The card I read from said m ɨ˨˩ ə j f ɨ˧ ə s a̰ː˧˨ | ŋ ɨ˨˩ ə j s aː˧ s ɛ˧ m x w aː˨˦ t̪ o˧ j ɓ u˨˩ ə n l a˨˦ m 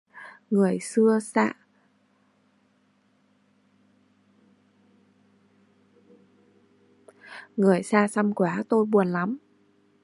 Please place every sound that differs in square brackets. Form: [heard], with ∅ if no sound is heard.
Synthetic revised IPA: [ŋ] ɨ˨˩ ə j [s] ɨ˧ ə s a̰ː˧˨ | ŋ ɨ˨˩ ə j s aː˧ s [a˧] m [k] w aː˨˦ t̪ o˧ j ɓ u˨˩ ə n l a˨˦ m